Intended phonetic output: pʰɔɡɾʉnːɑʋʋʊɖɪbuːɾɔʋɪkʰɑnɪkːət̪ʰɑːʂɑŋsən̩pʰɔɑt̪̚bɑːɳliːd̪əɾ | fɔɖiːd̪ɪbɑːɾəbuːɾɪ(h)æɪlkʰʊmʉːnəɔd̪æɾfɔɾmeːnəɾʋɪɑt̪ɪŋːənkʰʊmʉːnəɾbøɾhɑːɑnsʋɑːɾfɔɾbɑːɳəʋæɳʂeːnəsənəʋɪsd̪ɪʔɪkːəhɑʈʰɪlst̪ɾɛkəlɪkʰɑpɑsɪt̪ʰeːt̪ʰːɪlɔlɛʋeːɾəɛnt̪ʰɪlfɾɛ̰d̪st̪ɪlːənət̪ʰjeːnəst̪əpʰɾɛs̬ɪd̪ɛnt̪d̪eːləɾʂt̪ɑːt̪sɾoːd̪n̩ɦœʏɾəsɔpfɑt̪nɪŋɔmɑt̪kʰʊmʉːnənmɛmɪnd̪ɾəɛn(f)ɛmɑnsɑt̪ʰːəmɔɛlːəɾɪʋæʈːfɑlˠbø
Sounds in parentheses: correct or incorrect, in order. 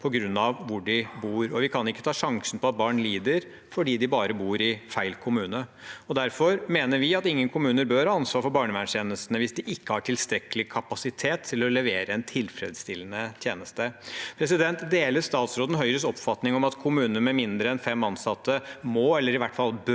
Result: incorrect, correct

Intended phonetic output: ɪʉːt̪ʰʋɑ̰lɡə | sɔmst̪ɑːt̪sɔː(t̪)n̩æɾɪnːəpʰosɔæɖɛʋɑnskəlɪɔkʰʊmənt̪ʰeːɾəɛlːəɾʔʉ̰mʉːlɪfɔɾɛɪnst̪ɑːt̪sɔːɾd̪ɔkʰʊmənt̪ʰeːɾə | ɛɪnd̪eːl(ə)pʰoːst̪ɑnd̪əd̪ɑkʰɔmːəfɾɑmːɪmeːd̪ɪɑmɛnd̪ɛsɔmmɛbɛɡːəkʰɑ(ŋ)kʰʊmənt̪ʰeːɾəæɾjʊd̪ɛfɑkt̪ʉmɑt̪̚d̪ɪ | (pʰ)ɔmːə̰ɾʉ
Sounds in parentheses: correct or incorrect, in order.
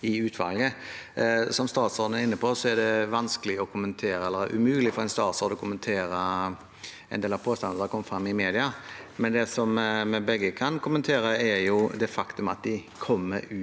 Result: incorrect, incorrect, incorrect, incorrect

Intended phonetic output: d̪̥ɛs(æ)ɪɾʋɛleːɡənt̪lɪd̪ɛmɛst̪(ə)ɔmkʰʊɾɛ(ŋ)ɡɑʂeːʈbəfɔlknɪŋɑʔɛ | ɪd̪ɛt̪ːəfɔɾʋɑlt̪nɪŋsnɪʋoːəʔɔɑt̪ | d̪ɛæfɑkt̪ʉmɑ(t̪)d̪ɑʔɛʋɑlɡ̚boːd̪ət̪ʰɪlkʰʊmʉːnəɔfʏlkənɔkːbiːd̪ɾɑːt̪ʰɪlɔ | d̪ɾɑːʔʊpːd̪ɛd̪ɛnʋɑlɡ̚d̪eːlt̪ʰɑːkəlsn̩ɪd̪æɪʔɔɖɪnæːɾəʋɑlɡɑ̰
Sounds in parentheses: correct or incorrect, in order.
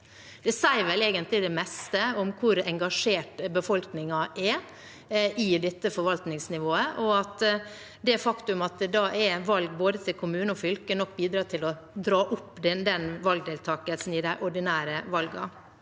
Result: correct, correct, correct, correct

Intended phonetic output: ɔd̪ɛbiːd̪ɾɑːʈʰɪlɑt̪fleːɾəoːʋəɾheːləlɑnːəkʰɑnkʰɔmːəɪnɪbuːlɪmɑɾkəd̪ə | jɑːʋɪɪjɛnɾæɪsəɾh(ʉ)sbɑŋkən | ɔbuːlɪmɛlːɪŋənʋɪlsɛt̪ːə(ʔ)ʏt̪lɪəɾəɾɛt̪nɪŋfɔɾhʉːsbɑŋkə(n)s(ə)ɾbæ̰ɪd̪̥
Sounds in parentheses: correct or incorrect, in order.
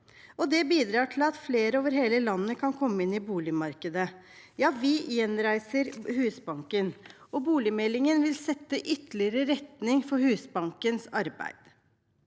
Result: incorrect, correct, correct, incorrect

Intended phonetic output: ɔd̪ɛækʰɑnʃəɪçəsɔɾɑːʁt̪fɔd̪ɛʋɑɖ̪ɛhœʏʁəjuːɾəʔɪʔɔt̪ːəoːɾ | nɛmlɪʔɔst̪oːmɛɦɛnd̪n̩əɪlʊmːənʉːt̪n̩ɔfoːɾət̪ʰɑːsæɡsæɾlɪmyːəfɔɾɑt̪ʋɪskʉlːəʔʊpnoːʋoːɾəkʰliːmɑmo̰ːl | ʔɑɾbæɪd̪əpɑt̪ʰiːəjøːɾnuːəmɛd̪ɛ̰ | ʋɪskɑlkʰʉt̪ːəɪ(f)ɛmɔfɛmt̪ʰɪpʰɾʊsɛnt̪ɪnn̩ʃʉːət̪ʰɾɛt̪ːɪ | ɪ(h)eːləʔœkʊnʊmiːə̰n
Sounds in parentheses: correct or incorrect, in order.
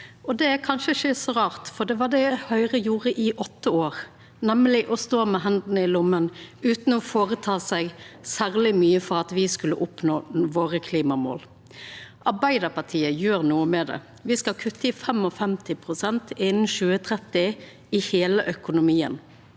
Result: correct, correct

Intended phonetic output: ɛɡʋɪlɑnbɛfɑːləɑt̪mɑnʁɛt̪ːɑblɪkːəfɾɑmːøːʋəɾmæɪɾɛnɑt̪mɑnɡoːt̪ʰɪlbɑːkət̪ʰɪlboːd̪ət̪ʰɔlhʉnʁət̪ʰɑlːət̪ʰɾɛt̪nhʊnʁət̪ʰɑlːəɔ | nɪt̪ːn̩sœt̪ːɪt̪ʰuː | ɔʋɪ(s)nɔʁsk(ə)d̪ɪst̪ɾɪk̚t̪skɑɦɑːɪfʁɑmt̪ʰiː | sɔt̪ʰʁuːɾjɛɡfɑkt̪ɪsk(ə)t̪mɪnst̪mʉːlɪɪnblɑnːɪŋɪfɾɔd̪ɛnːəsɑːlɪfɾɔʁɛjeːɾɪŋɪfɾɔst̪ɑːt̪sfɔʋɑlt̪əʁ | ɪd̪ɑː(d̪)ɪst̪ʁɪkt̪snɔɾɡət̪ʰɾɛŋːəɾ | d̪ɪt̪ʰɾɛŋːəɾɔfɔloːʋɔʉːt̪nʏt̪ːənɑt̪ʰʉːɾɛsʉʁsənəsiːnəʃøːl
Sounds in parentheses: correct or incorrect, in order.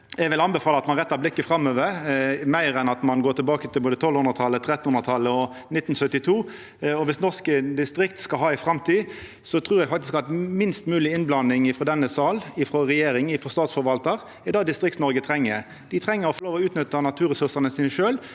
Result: correct, correct, incorrect, correct

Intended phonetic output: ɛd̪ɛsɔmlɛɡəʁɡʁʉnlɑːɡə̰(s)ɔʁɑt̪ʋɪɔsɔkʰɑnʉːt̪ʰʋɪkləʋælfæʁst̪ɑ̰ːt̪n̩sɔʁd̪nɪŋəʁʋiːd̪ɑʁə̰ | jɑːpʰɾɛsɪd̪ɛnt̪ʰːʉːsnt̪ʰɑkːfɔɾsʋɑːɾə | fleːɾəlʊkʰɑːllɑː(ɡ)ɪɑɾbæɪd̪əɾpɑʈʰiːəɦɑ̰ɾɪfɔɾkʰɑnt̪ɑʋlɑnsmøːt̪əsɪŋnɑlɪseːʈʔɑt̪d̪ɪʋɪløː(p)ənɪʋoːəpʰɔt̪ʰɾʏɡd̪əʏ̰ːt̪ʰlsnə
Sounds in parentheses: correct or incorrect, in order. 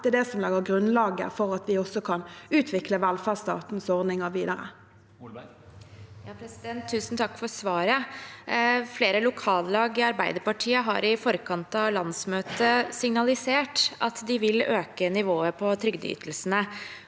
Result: incorrect, correct, incorrect

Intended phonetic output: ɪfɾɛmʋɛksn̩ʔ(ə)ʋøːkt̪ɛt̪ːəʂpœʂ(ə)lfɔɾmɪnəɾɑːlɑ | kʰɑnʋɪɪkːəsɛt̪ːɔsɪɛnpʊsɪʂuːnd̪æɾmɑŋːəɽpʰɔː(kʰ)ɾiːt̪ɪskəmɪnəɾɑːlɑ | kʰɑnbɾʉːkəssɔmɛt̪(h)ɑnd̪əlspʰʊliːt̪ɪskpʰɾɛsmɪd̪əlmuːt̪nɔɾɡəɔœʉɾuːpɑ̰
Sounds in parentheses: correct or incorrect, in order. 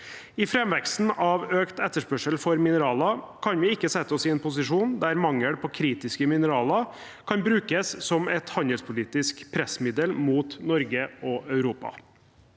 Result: incorrect, correct, correct, correct

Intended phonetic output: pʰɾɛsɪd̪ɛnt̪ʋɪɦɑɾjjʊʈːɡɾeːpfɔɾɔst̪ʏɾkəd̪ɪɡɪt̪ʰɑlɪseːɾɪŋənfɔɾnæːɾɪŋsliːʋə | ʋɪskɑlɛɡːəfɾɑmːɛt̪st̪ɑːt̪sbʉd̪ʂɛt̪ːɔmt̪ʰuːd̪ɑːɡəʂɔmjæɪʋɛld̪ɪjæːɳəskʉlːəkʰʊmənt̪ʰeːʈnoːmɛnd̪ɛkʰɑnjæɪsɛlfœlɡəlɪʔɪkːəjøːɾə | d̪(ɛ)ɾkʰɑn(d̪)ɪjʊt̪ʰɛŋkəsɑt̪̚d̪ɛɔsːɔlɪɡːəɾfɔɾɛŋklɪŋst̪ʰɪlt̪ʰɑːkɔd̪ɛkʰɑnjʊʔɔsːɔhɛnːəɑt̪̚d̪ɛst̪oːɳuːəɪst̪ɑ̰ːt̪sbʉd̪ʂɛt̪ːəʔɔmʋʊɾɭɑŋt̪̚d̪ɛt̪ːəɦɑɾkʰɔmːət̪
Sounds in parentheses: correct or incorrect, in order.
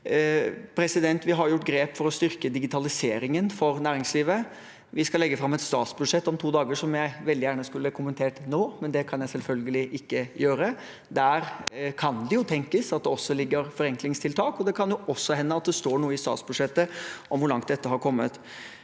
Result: incorrect, correct

